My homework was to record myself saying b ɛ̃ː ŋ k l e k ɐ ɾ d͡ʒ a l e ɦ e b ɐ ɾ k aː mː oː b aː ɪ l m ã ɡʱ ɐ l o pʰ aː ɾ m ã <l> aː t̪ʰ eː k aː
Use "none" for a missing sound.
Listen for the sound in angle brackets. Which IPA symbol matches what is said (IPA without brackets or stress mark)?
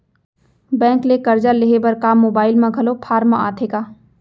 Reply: none